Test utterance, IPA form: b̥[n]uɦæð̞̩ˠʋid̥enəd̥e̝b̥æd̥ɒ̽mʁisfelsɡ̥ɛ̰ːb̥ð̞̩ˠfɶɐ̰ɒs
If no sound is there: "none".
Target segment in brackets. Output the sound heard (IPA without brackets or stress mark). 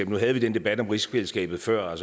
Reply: n